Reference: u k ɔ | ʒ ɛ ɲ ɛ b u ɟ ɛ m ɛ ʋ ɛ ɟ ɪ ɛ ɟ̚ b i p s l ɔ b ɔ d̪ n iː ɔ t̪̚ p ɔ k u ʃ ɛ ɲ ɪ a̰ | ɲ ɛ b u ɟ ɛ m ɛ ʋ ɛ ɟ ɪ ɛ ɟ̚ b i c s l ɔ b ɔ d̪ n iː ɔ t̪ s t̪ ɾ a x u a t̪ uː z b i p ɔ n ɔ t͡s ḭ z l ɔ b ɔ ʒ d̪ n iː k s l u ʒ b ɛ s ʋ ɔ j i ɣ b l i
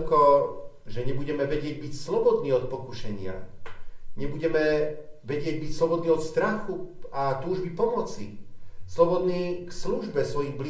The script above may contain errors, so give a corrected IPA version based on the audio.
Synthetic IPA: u k ɔ | ʒ ɛ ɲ ɛ b u ɟ ɛ m ɛ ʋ ɛ ɟ ɪ ɛ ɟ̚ b i c s l ɔ b ɔ d̪ n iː ɔ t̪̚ p ɔ k u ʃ ɛ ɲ ɪ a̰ | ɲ ɛ b u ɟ ɛ m ɛ ʋ ɛ ɟ ɪ ɛ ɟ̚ b i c s l ɔ b ɔ d̪ n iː ɔ t̪ s t̪ ɾ a x u a t̪ uː ʒ b i p ɔ m ɔ t͡s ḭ s l ɔ b ɔ d̪ n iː k s l u ʒ b ɛ s ʋ ɔ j i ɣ b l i